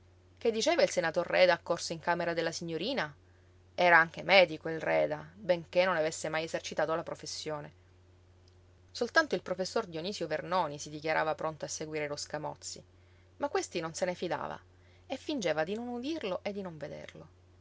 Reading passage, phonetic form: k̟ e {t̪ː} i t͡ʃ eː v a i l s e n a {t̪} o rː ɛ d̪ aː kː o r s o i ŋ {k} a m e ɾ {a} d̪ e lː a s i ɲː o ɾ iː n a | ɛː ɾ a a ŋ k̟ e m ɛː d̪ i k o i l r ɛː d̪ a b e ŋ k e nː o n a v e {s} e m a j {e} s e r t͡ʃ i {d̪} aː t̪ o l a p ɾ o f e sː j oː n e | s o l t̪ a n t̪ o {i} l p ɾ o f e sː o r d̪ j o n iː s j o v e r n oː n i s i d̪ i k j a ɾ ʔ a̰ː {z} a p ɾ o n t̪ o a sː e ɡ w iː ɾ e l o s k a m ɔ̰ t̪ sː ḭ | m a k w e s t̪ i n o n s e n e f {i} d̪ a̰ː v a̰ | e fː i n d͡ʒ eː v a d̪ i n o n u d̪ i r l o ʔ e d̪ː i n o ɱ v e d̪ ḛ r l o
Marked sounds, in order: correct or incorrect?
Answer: incorrect, correct, correct, correct, incorrect, correct, incorrect, correct, incorrect, correct

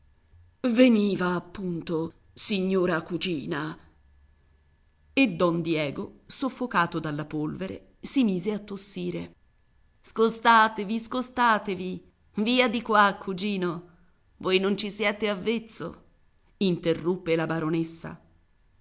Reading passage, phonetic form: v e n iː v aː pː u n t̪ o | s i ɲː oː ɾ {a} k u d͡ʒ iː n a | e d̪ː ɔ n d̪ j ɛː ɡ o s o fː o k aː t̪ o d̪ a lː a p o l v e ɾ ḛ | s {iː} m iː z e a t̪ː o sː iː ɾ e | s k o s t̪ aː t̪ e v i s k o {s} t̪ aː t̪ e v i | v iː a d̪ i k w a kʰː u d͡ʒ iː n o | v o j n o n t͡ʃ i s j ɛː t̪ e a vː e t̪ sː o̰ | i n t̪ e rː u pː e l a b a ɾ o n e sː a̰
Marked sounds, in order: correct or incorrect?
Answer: correct, incorrect, correct

